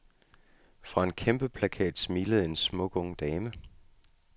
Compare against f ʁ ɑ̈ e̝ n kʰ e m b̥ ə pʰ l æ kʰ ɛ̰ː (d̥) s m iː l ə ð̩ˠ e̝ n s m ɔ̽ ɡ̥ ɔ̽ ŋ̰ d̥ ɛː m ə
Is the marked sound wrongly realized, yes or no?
no